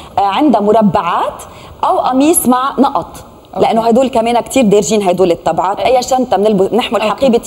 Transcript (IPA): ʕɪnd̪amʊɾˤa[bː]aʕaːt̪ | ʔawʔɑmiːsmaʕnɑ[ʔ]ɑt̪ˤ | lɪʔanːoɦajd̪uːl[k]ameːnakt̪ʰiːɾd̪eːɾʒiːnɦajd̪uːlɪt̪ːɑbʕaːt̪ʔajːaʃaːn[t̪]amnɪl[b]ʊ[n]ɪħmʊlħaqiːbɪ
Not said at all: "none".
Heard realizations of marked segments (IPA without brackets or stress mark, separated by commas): bː, ʔ, k, t̪, b, n